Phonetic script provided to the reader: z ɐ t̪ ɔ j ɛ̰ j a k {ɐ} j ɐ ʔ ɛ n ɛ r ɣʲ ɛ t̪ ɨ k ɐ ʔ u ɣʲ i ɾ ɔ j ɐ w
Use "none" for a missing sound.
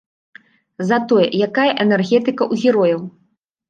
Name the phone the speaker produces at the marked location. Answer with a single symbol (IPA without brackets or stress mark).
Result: a